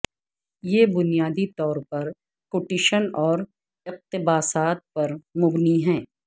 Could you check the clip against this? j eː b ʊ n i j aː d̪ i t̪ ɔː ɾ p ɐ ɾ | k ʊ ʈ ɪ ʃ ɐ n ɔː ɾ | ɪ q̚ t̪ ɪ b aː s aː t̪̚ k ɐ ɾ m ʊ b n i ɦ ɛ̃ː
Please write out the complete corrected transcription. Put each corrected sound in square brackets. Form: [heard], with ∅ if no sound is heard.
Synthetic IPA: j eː b ʊ n i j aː d̪ i t̪ ɔː ɾ p ɐ ɾ | k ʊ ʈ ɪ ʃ [ə] n ɔː ɾ | ɪ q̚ t̪ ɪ b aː s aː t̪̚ [p] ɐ ɾ m ʊ b n i ɦ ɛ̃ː